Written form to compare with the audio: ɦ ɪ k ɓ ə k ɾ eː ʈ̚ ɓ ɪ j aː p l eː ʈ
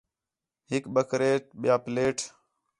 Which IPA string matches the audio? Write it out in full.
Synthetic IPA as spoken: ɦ ɪ k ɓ ə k ɾ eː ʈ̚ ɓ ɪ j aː p l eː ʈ